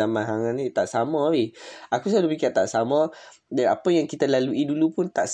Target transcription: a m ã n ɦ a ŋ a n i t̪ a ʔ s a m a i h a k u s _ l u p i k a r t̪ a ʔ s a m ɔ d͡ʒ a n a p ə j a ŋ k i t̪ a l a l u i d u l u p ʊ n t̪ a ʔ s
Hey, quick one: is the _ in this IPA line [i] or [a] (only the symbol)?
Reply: a